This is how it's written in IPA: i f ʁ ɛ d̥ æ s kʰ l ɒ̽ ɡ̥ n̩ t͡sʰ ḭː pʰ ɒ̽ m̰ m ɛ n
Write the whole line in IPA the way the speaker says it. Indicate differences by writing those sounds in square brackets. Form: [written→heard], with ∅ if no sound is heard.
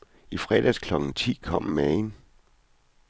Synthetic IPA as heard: i f ʁ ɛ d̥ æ s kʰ l ɒ̽ ɡ̥ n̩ t͡sʰ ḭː [pʰ→kʰ] ɒ̽ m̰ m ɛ n